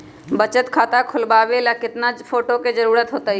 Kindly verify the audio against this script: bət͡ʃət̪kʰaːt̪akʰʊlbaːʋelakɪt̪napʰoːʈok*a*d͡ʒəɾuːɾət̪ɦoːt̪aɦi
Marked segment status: incorrect: e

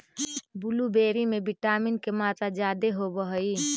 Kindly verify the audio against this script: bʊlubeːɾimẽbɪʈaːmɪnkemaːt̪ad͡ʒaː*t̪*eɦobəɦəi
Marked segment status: incorrect: d̪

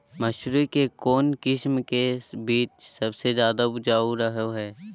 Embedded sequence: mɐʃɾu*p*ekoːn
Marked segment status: incorrect: k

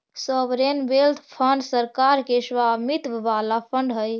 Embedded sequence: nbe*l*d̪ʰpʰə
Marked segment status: correct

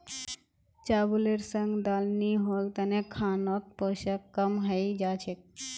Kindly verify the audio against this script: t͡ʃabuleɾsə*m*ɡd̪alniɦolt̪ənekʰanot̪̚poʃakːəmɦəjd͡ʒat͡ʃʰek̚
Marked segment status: incorrect: ŋ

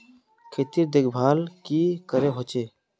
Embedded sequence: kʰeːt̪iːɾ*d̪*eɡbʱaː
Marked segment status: correct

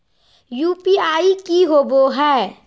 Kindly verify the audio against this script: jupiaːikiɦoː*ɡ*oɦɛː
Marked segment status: incorrect: b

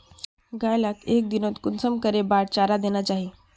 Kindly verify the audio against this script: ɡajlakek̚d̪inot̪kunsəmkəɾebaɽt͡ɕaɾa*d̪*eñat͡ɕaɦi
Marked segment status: correct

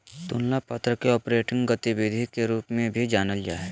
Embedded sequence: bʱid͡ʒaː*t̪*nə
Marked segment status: incorrect: none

